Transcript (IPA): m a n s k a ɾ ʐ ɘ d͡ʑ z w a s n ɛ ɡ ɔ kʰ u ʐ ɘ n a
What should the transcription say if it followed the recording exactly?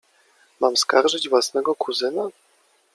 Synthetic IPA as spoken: m a m s k a ɾ ʐ ɘ d͡ʑ v w a s n ɛ ɡ ɔ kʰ u z ɘ n a